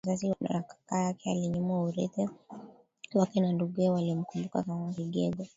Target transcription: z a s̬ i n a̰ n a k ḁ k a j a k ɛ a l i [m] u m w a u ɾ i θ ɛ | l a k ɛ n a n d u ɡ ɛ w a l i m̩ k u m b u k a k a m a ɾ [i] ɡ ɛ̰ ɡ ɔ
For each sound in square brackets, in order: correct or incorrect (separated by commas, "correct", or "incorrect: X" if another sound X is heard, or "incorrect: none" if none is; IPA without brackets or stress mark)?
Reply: incorrect: ɲ, correct